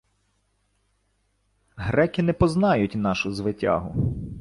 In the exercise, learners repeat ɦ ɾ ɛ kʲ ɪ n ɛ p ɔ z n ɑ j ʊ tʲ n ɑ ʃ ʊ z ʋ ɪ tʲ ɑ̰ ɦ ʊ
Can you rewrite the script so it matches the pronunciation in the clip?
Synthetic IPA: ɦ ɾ ɛ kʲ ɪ n ɛ p ɔ z n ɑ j ʊ tʲ n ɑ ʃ ʊ z ʋ ɪ tʲ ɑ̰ ɦ ʊ